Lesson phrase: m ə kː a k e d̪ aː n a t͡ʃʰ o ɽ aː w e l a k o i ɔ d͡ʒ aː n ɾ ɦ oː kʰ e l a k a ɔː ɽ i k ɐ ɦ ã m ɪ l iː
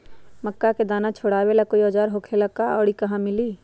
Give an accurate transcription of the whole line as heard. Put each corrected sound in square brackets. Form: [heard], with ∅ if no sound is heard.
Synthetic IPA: m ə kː a k e d̪ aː n a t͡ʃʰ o ɽ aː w e l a k o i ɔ d͡ʒ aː [∅] ɾ ɦ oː kʰ e l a k a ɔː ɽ i k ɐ ɦ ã m ɪ l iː